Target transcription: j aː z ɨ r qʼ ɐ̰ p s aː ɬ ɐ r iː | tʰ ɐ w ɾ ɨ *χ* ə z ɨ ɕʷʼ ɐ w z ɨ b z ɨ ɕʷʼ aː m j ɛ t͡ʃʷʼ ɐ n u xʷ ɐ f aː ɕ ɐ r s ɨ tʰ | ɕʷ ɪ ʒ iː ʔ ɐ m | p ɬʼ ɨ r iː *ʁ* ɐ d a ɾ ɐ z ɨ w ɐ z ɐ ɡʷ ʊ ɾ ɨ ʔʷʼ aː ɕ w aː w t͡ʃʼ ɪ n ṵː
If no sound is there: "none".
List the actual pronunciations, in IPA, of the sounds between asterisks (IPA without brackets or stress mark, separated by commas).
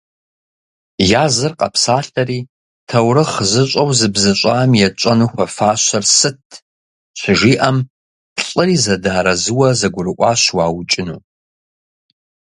χ, z